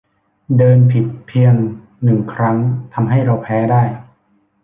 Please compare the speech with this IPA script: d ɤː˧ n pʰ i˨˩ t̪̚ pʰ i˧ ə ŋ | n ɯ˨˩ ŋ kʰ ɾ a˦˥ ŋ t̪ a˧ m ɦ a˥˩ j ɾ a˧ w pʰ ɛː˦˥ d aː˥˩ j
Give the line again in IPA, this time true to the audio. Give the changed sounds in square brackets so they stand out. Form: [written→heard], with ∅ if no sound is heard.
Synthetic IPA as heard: d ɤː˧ n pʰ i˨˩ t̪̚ pʰ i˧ ə ŋ | n ɯ˨˩ ŋ kʰ ɾ a˦˥ ŋ [t̪→t̪ʰ] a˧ m ɦ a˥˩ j ɾ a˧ w pʰ ɛː˦˥ d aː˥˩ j

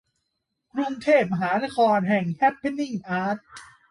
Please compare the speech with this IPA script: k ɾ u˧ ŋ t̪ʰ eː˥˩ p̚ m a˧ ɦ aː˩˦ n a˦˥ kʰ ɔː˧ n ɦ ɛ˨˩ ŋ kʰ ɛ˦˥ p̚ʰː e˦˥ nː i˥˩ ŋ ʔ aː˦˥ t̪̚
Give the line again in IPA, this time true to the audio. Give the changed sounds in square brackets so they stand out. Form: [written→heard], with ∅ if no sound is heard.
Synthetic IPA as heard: k ɾ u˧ ŋ t̪ʰ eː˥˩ p̚ m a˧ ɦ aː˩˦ n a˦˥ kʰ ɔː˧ n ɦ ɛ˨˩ ŋ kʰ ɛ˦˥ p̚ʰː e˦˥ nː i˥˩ ŋ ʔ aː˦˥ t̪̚

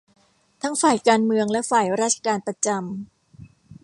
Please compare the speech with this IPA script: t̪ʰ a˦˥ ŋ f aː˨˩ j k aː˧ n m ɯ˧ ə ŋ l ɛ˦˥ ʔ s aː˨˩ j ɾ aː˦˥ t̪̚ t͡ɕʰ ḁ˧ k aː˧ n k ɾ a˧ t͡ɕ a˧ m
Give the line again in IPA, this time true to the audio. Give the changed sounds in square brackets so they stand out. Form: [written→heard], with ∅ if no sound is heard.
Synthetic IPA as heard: t̪ʰ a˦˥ ŋ f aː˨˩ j k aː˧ n m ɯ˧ ə ŋ l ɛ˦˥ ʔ [s→f] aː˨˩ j ɾ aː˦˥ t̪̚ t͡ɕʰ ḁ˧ k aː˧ n [k→p] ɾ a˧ t͡ɕ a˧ m

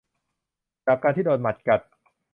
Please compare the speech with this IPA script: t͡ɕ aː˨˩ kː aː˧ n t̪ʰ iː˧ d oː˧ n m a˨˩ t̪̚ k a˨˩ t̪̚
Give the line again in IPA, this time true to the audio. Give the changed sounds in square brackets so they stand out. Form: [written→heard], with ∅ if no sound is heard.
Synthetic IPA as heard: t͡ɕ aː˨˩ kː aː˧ n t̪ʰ [iː˧→iː˥˩] d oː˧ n m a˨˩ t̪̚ k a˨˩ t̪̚

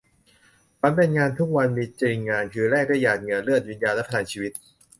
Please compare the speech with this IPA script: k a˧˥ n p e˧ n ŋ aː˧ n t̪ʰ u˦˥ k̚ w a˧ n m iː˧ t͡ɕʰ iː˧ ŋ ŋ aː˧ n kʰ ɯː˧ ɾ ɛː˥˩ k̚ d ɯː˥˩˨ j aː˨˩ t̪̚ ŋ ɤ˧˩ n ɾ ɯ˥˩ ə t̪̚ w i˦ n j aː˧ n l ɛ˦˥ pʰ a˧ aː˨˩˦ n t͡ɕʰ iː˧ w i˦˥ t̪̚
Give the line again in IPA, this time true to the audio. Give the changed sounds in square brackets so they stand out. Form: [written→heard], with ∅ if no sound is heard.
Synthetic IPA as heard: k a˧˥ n p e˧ n ŋ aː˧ n t̪ʰ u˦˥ k̚ w a˧ n m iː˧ [t͡ɕʰ→t͡ɕ] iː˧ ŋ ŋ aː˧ n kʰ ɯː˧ ɾ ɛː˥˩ k̚ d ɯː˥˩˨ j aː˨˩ t̪̚ ŋ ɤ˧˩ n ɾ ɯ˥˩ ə t̪̚ w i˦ n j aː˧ n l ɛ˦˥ pʰ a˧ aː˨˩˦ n t͡ɕʰ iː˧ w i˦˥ t̪̚

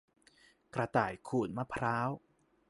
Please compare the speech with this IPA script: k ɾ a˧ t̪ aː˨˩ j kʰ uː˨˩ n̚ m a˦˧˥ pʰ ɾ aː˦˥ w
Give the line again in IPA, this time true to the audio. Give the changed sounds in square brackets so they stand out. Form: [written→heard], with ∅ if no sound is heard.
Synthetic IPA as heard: k ɾ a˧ t̪ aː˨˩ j kʰ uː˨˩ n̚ m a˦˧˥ pʰ ɾ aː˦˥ w

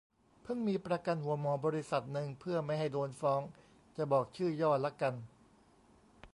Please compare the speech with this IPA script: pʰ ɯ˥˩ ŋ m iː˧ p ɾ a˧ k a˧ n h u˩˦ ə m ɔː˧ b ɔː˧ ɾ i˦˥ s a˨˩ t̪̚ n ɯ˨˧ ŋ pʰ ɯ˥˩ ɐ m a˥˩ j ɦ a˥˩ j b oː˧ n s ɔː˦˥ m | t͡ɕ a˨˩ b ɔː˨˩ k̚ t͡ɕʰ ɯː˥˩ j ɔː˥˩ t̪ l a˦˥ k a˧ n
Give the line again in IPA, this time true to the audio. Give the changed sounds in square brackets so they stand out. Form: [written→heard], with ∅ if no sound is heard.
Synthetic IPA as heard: pʰ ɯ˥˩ ŋ m iː˧ p ɾ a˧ k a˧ n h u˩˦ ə m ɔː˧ b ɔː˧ ɾ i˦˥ s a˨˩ t̪̚ n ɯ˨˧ ŋ pʰ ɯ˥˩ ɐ m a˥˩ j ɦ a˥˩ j [b→d] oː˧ n [s→f] ɔː˦˥ [m→ŋ] | t͡ɕ a˨˩ b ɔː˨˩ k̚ t͡ɕʰ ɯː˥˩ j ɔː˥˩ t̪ l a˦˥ k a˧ n

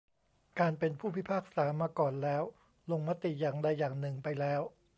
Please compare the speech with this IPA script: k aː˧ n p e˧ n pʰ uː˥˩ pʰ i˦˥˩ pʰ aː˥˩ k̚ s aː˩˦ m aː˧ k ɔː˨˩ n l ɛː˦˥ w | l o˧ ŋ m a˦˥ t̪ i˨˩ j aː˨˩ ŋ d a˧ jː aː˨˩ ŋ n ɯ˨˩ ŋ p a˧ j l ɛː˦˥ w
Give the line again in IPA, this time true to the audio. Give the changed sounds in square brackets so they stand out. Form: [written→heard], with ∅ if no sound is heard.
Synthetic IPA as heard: k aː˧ n p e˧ n pʰ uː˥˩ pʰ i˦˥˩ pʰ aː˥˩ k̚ s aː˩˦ m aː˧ k ɔː˨˩ n l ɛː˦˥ w | l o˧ ŋ m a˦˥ t̪ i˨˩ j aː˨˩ ŋ d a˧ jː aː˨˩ ŋ n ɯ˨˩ ŋ p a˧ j l ɛː˦˥ w

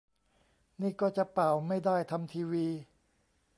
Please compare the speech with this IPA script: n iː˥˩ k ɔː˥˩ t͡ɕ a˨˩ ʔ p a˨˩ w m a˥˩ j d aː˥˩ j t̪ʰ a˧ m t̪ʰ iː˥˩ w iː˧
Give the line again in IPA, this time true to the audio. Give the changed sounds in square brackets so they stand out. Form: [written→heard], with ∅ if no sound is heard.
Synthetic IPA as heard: n iː˥˩ k ɔː˥˩ t͡ɕ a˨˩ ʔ p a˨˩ w m a˥˩ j d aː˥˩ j t̪ʰ a˧ m t̪ʰ [iː˥˩→iː˧] w iː˧

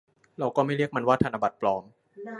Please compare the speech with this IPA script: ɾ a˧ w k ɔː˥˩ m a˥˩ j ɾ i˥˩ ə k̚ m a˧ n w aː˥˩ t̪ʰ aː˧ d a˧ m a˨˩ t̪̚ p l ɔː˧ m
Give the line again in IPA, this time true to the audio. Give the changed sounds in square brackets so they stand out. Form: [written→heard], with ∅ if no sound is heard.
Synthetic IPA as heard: ɾ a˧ w k ɔː˥˩ m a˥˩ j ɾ i˥˩ ə k̚ m a˧ n w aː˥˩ t̪ʰ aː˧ [d→n] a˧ [m→b] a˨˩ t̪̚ p l ɔː˧ m

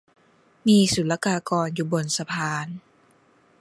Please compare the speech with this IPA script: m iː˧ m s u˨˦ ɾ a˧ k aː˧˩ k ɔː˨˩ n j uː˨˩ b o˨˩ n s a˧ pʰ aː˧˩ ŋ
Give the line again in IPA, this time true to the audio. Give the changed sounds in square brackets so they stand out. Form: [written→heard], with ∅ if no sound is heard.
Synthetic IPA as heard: m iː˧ [m→∅] s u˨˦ [ɾ→l] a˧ k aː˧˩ k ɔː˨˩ n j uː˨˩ b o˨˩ n s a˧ pʰ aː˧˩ [ŋ→n]

